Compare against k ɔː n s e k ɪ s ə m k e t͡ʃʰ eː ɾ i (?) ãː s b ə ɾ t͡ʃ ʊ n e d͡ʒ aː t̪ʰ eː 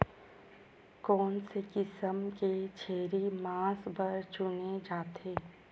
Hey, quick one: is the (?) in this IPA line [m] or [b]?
m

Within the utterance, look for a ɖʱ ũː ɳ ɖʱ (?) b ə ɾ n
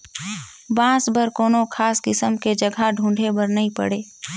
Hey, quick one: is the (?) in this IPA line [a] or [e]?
e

